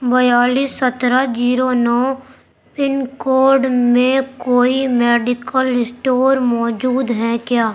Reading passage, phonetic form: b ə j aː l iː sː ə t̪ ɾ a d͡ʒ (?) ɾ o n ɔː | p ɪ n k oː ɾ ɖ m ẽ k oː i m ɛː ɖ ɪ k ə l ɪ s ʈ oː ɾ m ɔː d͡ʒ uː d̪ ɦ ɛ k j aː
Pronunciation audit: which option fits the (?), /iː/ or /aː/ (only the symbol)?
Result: iː